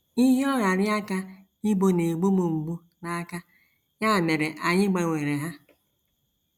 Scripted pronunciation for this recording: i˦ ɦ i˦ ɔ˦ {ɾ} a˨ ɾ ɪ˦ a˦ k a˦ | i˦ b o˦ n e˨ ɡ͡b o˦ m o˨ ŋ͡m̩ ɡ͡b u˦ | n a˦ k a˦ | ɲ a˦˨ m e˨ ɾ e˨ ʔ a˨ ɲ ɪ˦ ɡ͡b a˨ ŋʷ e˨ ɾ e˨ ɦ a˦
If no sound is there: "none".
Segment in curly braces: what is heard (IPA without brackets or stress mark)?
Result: ɾ